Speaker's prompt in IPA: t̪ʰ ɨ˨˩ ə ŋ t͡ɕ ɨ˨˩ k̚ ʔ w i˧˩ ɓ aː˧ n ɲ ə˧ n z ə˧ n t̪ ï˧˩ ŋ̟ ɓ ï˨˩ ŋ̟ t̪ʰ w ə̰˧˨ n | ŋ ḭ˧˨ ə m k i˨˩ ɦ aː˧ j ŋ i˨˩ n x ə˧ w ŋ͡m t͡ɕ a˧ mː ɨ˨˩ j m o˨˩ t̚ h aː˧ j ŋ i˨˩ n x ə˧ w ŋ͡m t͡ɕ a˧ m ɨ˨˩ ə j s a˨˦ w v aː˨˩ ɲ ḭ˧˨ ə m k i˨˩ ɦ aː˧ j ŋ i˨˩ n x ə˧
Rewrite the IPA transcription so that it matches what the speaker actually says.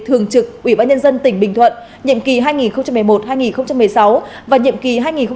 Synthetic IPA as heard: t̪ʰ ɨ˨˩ ə ŋ t͡ɕ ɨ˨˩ k̚ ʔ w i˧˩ ɓ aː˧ n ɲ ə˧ n z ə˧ n t̪ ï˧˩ ŋ̟ ɓ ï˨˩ ŋ̟ t̪ʰ w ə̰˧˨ n | ɲ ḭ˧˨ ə m k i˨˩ ɦ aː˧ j ŋ i˨˩ n x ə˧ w ŋ͡m t͡ɕ a˧ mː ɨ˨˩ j m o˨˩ t̚ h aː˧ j ŋ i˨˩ n x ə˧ w ŋ͡m t͡ɕ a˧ m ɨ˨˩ ə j s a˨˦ w v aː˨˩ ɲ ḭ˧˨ ə m k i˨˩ ɦ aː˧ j ŋ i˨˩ n x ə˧